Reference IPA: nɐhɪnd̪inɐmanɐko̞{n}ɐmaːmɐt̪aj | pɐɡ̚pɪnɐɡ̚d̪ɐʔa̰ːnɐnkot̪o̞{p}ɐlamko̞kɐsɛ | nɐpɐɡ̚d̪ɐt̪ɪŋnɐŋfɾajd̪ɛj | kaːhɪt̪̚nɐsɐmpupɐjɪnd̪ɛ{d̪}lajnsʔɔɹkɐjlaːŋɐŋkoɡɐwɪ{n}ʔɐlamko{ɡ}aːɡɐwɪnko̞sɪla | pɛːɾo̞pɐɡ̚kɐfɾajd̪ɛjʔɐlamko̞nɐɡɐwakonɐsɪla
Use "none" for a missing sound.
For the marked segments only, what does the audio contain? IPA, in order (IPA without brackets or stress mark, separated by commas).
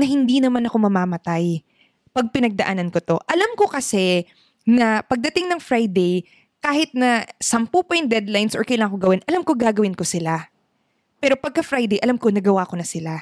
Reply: m, ʔ, d̪, n, ɡ